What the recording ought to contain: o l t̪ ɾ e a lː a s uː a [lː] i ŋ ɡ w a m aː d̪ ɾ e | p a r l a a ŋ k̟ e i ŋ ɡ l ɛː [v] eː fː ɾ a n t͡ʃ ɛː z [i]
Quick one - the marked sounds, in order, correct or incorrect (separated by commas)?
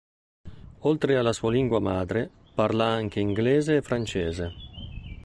incorrect, incorrect, incorrect